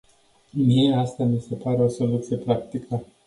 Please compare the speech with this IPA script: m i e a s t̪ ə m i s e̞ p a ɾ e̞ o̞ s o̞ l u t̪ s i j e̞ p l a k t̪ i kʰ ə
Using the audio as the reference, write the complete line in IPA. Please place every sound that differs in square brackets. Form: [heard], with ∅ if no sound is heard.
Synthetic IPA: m i e a s t̪ [a] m i s e̞ p a ɾ e̞ o̞ s o̞ l u t̪ s i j e̞ p [ɾ] a k t̪ i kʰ ə